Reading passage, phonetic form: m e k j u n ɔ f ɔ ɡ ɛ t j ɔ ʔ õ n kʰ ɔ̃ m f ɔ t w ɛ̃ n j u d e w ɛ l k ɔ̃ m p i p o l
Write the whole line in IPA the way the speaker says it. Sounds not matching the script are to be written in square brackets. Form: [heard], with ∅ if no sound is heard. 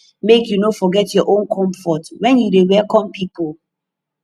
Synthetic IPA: m e k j u n [o] f ɔ ɡ ɛ t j ɔ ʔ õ n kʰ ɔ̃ m f ɔ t w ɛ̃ n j u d e w ɛ l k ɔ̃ m p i p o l